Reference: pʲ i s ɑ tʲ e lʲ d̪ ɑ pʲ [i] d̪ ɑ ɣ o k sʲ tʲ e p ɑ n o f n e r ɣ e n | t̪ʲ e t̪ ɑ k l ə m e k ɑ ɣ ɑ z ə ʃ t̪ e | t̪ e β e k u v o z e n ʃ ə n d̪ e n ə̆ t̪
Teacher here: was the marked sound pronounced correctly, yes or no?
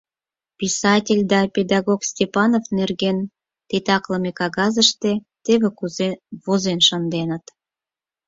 no